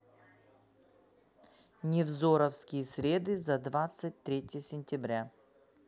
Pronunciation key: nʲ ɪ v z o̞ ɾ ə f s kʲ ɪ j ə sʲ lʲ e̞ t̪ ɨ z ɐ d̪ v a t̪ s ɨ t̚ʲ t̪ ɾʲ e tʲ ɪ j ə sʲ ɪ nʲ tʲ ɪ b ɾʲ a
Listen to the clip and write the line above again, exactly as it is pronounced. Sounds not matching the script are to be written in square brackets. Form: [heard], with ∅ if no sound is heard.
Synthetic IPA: nʲ ɪ v z o̞ ɾ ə f s kʲ ɪ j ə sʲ [ɾʲ] e̞ [d̪] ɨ z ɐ d̪ v a t̪ s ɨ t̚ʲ t̪ ɾʲ e tʲ ɪ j ə sʲ ɪ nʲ tʲ ɪ b ɾʲ a